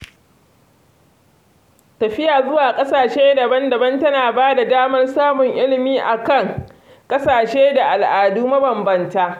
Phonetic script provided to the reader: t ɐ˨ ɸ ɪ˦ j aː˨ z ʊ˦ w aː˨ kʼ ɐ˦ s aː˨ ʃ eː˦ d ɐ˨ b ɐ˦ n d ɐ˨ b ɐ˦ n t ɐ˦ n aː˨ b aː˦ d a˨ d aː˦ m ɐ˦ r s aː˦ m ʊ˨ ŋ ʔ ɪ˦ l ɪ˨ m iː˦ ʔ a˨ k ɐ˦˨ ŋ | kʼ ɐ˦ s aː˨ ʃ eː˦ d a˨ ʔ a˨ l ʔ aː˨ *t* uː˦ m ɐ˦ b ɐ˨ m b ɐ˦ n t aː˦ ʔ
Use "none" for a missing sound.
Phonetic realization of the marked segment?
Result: d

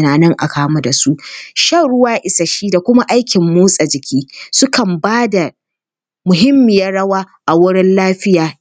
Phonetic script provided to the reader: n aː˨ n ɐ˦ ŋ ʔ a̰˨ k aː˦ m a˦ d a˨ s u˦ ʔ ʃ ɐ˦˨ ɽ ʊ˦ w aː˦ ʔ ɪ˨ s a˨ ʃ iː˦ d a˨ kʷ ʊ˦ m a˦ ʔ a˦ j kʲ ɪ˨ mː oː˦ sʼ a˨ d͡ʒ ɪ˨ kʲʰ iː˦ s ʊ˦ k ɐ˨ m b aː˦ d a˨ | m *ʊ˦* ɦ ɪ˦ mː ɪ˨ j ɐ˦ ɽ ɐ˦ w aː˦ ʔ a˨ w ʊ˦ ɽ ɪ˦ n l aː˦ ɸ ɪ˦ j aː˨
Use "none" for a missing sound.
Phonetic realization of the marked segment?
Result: ʊ˨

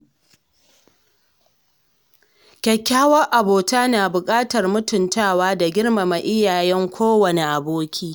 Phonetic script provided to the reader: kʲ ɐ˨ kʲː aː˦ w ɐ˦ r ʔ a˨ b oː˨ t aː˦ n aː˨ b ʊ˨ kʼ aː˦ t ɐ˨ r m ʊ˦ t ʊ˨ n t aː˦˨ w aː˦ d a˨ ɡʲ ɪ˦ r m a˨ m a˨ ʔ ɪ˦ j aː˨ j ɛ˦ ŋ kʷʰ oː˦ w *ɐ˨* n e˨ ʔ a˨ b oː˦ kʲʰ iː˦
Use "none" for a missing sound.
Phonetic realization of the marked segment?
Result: ɐ˨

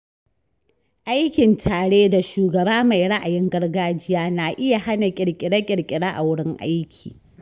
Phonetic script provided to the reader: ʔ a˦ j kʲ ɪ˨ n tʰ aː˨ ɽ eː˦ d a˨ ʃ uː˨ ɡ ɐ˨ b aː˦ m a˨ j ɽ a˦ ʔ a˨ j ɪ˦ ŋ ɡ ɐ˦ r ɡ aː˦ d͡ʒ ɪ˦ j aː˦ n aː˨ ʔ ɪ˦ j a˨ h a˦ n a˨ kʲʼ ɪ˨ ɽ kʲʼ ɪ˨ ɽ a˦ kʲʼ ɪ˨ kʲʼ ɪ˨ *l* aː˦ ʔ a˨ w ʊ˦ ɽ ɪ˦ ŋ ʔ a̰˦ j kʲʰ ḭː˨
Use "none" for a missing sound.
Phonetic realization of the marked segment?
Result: ɽ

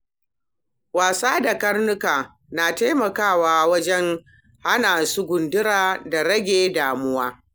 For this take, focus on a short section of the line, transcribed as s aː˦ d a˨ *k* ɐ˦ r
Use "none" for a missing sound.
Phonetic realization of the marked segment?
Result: k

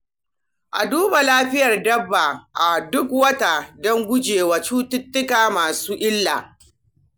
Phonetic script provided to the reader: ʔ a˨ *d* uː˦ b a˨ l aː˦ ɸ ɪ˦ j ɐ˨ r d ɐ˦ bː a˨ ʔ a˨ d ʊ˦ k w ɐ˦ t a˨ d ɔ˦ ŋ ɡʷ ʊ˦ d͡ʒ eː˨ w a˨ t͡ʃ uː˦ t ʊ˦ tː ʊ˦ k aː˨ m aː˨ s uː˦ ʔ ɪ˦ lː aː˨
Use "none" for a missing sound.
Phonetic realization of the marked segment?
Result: d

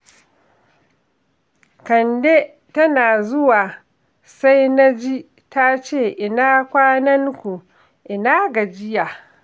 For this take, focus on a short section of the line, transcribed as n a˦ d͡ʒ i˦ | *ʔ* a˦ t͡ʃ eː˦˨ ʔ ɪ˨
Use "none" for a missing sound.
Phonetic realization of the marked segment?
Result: t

